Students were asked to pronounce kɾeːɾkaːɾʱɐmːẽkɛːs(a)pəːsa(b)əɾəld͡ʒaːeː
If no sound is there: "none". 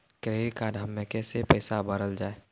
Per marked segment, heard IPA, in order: e, b

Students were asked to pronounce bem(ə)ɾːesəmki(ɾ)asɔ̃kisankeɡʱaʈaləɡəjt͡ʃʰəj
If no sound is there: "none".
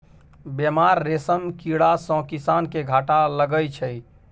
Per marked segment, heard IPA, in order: a, ɽ

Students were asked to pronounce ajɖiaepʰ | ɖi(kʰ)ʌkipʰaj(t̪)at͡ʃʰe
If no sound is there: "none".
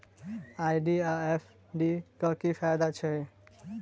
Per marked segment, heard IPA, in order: k, d̪

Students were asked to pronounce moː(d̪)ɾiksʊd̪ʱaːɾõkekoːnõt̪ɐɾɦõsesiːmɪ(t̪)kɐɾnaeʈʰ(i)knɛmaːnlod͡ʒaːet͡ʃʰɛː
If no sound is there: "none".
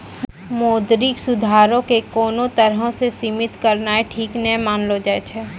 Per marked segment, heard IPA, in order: d̪, t̪, iː

